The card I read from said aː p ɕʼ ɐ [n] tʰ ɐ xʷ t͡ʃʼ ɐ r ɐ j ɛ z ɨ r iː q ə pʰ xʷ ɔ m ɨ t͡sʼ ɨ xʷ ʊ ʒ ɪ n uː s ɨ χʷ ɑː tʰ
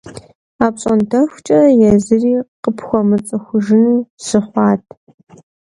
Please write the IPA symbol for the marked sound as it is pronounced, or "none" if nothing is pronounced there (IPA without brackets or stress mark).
n